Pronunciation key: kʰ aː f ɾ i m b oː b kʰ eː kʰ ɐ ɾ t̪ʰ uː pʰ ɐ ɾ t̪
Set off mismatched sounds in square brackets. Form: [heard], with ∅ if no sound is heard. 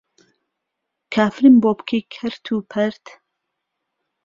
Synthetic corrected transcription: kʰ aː f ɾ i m b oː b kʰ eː kʰ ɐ ɾ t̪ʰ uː pʰ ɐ ɾ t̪